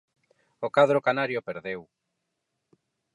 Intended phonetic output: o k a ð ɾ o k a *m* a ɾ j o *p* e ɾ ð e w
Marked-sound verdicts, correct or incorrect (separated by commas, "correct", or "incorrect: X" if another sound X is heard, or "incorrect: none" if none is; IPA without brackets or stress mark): incorrect: n, correct